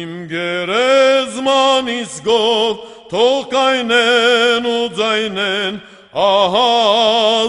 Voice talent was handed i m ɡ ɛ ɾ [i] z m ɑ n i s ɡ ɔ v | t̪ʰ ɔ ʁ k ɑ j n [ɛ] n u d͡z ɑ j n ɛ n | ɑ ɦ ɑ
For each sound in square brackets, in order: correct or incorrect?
incorrect: ɛ, correct

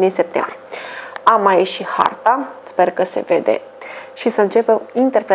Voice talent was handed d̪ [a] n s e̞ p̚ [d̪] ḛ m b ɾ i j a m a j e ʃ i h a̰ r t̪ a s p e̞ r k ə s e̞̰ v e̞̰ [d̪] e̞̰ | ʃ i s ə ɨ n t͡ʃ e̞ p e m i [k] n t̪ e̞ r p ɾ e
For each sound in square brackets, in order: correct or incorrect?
incorrect: i, incorrect: t̪, correct, incorrect: none

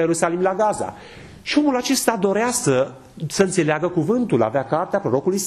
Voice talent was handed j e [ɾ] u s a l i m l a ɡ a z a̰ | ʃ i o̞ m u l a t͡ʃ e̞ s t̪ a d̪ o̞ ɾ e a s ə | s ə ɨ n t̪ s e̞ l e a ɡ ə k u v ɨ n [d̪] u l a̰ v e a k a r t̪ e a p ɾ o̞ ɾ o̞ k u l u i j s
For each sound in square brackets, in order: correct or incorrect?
correct, incorrect: t̪

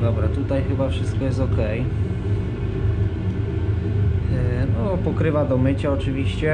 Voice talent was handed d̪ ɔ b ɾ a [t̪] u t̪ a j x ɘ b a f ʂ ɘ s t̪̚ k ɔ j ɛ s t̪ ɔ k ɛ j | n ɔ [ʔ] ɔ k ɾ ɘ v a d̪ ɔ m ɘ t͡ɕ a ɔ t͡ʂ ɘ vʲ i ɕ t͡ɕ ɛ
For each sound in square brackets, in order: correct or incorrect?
correct, incorrect: p

